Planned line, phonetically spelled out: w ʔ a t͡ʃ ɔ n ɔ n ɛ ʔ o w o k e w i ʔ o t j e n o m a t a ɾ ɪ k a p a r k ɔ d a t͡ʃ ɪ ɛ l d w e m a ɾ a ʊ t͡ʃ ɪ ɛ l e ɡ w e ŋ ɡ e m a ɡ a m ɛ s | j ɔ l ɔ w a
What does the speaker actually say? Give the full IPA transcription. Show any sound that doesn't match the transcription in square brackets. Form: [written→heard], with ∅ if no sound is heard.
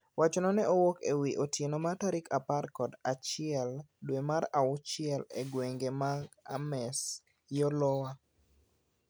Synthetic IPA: w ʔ a t͡ʃ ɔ n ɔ n ɛ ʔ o w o k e w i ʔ o t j e n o m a t a ɾ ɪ k a p a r k ɔ d a t͡ʃ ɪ ɛ l d w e m a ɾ a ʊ t͡ʃ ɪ ɛ l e ɡ w e ŋ ɡ e m a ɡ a m ɛ s | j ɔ l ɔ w a